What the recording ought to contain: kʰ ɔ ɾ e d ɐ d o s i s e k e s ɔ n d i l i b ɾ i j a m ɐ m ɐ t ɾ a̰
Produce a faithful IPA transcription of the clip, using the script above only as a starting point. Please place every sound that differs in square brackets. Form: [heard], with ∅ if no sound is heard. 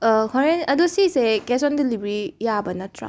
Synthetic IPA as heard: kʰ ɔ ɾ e [n] ɐ d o s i s e k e s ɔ n d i l i b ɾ i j a [b] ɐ [n] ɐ t ɾ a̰